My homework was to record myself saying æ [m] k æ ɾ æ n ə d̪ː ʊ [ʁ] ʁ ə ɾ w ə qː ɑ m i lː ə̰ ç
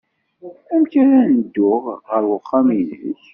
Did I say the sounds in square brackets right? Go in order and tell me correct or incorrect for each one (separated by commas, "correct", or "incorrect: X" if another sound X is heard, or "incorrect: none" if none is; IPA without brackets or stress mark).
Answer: correct, correct